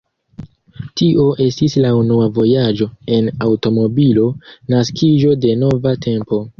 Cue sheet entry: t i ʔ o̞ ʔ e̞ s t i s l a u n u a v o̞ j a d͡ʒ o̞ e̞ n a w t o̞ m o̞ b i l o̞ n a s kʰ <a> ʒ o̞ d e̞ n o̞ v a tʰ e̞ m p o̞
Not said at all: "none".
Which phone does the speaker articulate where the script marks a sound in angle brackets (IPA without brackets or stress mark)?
i